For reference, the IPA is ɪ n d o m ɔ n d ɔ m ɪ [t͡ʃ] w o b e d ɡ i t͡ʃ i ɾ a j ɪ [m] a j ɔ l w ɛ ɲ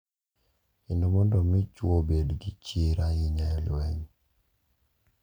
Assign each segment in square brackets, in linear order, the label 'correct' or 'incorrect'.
correct, incorrect

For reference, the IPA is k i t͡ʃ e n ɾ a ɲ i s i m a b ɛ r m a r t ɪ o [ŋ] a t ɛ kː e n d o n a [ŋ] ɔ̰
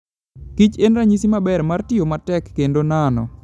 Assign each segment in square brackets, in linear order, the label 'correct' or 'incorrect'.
incorrect, incorrect

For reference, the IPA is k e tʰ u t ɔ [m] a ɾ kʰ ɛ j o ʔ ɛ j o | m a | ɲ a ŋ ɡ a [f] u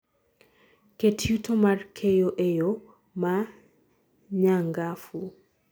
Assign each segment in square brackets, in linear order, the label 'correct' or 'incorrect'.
correct, correct

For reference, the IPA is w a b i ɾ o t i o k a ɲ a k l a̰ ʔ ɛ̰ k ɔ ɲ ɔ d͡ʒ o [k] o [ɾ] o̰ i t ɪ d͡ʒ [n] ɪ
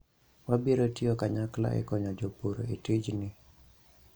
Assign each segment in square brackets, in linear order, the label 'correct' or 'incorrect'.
incorrect, correct, correct

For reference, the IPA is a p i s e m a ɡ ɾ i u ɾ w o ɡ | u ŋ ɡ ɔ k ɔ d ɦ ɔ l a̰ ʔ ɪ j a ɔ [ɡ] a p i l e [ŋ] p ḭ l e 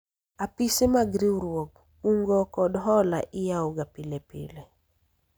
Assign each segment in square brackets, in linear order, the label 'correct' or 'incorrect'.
correct, incorrect

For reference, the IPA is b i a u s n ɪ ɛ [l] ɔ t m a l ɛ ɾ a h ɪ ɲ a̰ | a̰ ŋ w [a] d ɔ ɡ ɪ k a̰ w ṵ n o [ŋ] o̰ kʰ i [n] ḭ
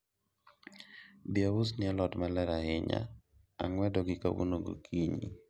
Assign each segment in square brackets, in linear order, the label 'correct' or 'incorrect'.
correct, incorrect, incorrect, incorrect

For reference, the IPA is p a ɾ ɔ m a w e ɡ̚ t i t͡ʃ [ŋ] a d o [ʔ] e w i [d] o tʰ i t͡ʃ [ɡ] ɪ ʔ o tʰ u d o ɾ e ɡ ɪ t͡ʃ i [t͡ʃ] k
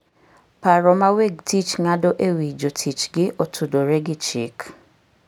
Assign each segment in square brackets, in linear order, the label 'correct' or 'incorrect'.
correct, correct, incorrect, correct, incorrect

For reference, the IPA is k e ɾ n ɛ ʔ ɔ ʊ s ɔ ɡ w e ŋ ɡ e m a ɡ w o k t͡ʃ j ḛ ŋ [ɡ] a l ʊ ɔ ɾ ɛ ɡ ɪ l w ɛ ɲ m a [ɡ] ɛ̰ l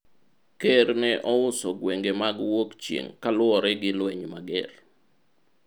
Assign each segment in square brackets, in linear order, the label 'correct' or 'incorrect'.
incorrect, correct

